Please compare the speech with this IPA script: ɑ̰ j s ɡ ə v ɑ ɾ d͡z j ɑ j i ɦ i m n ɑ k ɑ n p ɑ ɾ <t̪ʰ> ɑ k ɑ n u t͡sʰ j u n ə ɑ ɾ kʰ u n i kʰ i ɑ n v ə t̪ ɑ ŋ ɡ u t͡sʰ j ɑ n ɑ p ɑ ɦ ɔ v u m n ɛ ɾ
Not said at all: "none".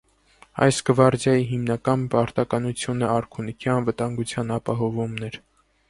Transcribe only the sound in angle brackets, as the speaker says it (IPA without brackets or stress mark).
t̪